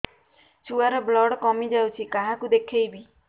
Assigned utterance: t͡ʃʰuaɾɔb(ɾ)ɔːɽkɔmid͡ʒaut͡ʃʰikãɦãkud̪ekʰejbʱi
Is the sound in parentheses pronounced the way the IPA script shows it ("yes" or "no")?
no